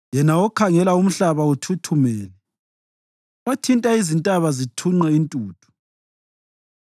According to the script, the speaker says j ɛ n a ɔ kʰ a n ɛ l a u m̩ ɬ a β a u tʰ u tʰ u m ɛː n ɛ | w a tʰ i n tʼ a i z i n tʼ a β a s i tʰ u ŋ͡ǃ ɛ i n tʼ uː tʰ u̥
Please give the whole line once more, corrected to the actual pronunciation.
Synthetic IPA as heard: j ɛ n a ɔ kʰ a ŋ ɛ l a u m̩ ɬ a β a u tʰ u tʰ u m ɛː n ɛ | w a tʰ i n tʼ a i z i n tʼ a β a z i tʰ u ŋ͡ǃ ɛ i n tʼ uː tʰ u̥